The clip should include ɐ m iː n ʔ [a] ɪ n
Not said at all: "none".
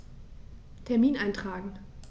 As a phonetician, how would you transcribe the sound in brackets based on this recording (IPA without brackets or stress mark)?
a